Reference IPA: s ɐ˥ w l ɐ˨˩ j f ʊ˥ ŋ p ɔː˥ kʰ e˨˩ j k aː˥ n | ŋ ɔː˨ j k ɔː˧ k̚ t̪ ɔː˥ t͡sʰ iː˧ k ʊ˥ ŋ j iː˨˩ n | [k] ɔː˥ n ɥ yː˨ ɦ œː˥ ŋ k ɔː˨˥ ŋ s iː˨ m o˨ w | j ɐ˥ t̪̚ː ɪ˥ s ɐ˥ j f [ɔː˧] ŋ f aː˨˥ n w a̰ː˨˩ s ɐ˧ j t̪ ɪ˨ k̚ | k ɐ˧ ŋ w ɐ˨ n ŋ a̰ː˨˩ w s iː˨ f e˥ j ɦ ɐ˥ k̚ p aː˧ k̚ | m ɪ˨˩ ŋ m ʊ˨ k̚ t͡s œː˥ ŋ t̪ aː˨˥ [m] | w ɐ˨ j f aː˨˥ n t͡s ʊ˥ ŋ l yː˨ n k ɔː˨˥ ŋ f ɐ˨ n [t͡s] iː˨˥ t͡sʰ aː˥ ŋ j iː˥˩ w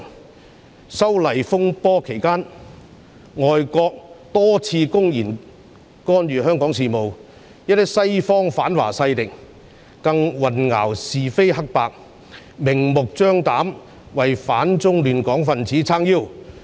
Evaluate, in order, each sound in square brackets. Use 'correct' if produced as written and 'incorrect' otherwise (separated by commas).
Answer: correct, incorrect, correct, correct